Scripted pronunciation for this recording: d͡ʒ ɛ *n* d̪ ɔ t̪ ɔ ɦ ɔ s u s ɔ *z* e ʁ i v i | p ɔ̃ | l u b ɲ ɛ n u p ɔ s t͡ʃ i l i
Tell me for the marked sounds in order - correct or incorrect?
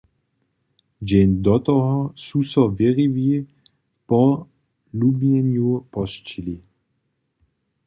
correct, incorrect: v

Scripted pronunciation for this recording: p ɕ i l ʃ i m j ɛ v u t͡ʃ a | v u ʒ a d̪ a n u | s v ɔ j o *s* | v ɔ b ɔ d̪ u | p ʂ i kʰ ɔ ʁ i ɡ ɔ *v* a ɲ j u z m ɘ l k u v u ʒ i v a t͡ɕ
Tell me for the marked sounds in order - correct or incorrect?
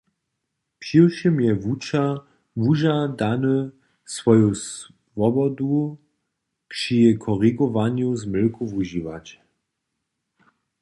correct, correct

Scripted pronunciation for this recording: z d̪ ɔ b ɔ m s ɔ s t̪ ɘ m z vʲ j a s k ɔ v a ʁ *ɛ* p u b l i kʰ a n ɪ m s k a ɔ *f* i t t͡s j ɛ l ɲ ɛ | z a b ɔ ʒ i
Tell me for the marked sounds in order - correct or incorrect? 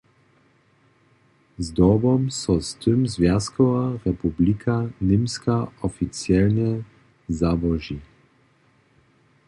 correct, correct

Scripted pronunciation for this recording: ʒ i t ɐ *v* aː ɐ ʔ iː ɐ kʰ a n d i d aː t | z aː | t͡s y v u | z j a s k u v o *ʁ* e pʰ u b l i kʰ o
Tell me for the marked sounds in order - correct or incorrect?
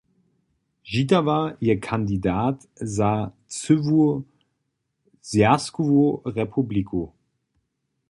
correct, correct

